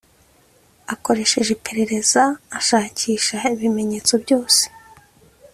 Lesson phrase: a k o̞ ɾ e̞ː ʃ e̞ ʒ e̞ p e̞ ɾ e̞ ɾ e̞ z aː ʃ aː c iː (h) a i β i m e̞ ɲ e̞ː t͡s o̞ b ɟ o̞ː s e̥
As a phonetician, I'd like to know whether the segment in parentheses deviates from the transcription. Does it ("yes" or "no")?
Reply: yes